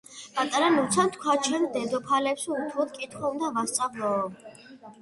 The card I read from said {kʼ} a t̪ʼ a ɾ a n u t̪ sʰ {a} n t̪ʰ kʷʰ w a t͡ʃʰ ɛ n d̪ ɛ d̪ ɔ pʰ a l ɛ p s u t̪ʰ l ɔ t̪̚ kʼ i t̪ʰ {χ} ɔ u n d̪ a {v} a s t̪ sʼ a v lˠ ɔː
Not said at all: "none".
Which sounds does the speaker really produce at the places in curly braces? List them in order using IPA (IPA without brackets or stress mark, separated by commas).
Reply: pʼ, a, χ, v